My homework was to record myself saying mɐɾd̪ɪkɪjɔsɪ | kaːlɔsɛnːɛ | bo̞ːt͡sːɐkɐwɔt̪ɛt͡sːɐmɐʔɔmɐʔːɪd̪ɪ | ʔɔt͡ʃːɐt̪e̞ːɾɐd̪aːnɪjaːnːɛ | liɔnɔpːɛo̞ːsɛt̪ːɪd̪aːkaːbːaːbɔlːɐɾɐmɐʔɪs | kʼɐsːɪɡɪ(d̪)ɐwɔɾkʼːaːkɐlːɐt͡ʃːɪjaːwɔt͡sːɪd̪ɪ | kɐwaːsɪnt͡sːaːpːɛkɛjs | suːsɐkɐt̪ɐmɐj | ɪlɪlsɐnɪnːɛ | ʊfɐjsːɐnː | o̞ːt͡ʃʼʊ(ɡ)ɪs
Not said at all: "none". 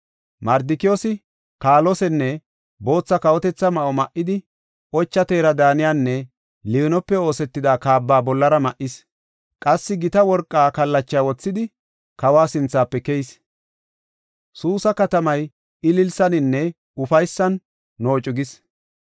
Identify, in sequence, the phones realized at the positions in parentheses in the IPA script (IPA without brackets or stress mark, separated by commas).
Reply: t̪, ɡ